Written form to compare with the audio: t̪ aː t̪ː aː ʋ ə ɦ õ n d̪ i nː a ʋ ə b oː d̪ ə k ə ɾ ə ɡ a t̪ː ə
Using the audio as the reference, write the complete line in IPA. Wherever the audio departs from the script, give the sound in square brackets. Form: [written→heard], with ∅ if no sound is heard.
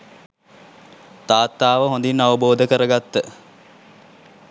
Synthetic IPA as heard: t̪ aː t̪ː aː ʋ ə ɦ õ n d̪ i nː a ʋ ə b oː d̪ ə k ə ɾ ə ɡ a t̪ː ə